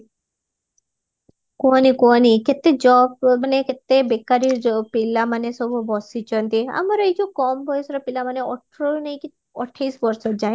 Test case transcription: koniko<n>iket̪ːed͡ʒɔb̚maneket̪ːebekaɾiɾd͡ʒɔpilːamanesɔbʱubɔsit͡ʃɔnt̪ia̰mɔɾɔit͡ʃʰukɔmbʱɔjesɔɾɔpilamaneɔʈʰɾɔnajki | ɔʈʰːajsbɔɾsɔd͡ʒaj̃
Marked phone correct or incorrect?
correct